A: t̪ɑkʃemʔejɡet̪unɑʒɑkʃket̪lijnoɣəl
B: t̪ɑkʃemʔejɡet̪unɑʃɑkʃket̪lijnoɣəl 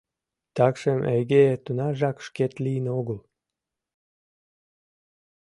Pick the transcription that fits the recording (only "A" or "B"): A